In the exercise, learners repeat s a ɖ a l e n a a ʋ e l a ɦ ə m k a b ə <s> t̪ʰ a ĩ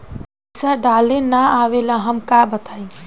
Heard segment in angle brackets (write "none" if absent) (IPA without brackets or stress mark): none